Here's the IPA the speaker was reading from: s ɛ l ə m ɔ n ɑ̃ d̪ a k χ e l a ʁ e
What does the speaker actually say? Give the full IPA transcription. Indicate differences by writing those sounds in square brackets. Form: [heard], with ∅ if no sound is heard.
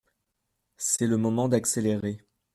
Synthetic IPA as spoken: s ɛ l ə m ɔ [m] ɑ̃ d̪ a k [s] e l [e] ʁ e

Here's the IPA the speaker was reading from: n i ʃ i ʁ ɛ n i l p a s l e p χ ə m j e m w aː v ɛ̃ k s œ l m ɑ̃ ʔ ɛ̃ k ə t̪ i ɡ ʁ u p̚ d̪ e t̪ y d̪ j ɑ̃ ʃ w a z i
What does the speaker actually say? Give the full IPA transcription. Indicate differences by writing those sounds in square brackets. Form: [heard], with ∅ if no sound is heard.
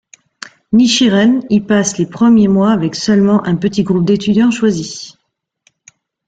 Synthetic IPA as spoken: n i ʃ i ʁ ɛ n i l p a s l e p χ ə m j e m w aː v [ɛ] k s œ l m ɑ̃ ʔ ɛ̃ [p] ə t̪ i ɡ ʁ u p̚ d̪ e t̪ y d̪ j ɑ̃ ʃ w a z i

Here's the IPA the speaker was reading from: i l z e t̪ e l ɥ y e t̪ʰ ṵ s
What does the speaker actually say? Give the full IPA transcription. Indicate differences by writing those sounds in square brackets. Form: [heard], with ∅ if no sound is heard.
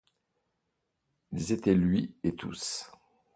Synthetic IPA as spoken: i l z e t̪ [ɛ] l ɥ [i] e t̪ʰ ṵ s

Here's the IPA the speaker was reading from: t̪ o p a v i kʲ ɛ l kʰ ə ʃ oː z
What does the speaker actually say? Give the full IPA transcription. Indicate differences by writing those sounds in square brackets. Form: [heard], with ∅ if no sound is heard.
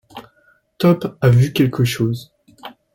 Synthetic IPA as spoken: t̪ [ɔ] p a v [y] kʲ ɛ l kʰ ə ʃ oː z

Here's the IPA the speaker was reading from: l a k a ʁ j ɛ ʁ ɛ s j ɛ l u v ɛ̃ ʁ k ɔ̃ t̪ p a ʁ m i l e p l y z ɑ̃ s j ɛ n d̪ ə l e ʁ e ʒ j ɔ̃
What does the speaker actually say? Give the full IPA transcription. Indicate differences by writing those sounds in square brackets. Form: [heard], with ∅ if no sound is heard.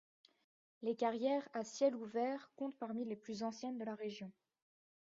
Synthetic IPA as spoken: l [e] k a ʁ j ɛ ʁ [a] s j ɛ l u v [ɛ] ʁ k ɔ̃ t̪ p a ʁ m i l e p l y z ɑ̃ s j ɛ n d̪ ə l [a] ʁ e ʒ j ɔ̃

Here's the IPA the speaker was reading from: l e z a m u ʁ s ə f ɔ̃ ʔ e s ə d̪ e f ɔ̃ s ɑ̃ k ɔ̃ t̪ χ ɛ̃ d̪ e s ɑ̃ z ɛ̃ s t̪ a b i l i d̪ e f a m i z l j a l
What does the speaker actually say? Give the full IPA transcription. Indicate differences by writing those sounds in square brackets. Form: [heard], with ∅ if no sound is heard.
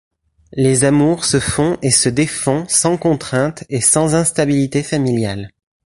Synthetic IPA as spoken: l e z a m u ʁ s ə f ɔ̃ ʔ e s ə d̪ e f ɔ̃ s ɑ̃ k ɔ̃ t̪ χ ɛ̃ [t̪] e s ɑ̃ z ɛ̃ s t̪ a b i l i [t̪] e f a m i [∅] l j a l

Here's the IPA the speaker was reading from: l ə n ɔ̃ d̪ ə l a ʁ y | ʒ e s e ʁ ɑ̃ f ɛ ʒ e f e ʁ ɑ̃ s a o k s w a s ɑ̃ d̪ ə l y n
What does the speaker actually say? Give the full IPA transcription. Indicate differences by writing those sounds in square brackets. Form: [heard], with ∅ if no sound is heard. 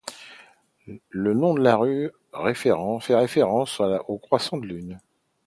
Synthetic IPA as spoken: l ə n ɔ̃ d̪ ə l a ʁ y | [ʁ] e [f] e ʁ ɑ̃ f ɛ [ʁ] e f e ʁ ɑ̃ s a o k [χ] w a s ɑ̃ d̪ ə l y n

